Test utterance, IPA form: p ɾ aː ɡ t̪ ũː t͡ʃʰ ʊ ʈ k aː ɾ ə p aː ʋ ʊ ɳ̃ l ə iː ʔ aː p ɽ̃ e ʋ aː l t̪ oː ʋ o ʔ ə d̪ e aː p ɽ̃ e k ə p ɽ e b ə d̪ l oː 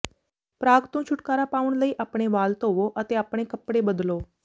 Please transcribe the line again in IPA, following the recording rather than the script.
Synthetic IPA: p ɾ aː ɡ t̪ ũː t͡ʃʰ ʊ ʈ k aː ɾ a p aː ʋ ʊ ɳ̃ l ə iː ʔ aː p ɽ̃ e ʋ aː l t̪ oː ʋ o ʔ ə t̪ e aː p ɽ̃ e k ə p ɽ e b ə d̪ l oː